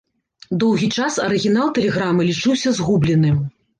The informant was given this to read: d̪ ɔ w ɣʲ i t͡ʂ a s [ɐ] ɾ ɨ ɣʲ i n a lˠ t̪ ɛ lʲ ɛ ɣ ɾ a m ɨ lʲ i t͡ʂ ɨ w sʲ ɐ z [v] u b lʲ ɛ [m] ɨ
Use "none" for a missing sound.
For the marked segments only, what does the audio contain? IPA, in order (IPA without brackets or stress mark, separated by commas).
ɐ, ɣ, n